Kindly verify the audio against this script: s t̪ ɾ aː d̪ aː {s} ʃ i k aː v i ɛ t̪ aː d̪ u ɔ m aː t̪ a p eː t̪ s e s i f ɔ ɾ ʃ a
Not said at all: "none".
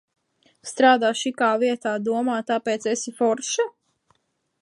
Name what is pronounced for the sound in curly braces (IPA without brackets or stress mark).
none